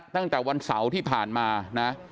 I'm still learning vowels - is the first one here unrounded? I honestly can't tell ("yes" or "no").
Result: yes